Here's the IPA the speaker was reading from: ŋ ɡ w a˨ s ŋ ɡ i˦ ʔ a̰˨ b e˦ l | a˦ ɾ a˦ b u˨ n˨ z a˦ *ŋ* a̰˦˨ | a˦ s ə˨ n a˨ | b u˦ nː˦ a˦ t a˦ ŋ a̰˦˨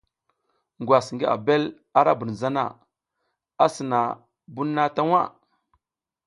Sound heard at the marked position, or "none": n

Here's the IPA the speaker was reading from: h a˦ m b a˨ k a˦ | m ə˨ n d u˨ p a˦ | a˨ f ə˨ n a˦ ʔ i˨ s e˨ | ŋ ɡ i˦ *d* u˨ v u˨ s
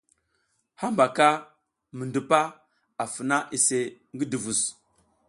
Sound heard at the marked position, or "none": d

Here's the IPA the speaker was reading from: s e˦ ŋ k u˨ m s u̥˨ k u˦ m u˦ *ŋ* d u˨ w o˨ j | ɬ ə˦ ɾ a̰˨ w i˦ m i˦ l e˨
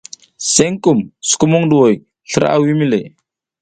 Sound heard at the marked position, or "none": ŋ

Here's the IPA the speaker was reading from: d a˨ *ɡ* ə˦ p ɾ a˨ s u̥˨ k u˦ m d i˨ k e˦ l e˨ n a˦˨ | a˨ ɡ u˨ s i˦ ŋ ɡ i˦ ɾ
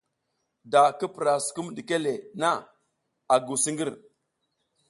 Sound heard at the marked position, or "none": k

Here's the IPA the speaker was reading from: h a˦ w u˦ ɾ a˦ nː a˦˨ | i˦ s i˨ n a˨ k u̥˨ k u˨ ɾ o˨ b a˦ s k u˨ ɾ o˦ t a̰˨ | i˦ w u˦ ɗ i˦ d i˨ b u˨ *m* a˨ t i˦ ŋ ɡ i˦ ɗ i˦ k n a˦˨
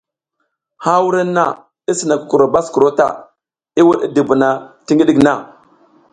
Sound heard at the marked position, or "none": n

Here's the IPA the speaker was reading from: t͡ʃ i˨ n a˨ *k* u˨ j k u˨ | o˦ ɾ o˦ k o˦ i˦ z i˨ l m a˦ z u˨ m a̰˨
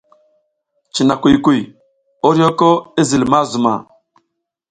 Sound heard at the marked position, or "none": k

